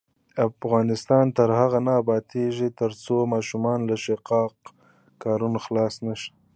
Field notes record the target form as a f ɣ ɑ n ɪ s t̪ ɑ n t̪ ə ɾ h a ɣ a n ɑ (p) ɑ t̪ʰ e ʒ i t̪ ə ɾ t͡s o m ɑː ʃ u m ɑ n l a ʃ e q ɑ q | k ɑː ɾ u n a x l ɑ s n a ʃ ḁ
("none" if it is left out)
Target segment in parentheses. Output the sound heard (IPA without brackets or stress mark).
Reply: b